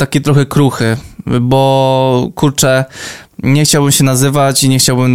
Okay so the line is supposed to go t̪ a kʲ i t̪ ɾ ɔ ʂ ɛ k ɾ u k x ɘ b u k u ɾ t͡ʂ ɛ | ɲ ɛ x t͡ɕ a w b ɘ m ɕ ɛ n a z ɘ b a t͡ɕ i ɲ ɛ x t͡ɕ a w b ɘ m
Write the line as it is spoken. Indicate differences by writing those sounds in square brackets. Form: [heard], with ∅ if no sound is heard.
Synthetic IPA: t̪ a kʲ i t̪ ɾ ɔ [x] ɛ k ɾ u [∅] x ɘ b [ɔ] k u ɾ t͡ʂ ɛ | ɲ ɛ x t͡ɕ a w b ɘ m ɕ ɛ n a z ɘ [v] a t͡ɕ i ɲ ɛ x t͡ɕ a w b ɘ m